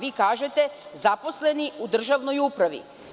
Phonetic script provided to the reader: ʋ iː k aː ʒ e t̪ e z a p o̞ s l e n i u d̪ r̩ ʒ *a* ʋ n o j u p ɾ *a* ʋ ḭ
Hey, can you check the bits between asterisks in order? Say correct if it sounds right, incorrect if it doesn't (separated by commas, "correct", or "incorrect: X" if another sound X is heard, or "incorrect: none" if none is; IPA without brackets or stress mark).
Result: correct, correct